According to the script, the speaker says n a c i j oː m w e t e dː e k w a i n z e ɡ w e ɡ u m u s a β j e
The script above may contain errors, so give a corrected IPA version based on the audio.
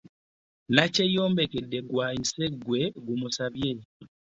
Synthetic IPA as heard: n a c e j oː m b e k e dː e ɡ w a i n s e ɡ w e ɡ u m u s a β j e